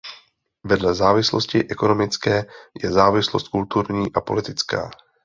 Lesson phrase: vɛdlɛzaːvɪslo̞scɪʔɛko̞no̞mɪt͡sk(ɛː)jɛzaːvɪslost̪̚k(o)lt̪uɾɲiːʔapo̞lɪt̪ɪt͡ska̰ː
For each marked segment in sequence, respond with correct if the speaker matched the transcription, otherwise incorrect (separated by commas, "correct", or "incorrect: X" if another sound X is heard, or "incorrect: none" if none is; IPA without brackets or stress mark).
correct, incorrect: u